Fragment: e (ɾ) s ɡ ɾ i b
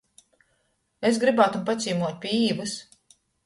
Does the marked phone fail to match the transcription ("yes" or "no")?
yes